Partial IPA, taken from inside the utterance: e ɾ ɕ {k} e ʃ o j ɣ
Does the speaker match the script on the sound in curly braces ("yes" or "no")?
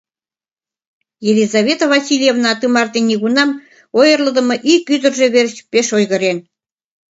no